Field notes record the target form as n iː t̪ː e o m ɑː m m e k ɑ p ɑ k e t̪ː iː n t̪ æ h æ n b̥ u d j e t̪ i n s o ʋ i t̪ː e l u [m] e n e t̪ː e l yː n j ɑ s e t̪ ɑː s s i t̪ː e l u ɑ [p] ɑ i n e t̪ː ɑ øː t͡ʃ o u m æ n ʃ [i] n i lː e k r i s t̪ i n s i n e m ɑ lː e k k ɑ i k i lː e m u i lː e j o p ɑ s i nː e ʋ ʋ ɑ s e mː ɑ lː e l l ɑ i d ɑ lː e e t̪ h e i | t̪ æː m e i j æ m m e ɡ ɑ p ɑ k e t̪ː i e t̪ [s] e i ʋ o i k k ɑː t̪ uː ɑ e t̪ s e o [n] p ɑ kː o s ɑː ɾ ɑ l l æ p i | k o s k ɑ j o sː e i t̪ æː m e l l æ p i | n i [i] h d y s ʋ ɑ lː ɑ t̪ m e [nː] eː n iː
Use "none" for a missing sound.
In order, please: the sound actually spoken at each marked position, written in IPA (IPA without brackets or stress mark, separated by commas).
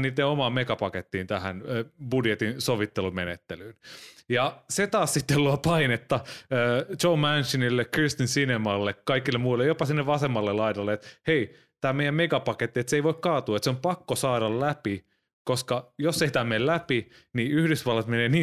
m, p, i, s, m, y, n